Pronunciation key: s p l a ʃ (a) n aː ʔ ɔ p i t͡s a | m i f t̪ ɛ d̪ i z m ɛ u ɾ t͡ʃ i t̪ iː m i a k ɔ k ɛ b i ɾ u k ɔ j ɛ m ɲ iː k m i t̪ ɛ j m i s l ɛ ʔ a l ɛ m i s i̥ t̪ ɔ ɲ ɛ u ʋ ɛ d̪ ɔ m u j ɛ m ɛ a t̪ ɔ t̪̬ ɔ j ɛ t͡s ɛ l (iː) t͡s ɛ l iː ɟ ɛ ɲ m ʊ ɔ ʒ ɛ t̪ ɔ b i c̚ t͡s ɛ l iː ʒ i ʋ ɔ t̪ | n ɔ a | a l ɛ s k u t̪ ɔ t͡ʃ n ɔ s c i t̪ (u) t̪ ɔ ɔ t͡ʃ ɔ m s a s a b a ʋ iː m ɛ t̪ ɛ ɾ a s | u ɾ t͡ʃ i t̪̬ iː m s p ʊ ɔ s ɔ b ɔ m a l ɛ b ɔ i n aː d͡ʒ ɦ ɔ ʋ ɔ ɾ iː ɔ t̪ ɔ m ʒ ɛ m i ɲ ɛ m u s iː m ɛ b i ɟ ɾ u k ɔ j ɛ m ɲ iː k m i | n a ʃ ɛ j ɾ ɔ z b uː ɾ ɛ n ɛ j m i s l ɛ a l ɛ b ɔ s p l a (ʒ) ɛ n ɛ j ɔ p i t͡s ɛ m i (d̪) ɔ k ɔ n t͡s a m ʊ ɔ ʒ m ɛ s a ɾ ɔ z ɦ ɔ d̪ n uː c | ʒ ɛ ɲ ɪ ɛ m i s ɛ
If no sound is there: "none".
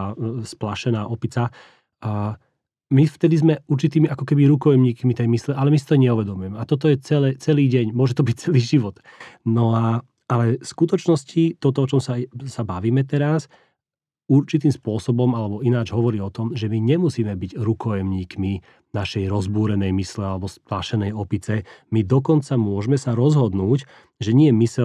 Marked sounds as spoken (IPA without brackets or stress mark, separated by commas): ɛ, ɛː, ɔ, ʃ, d̪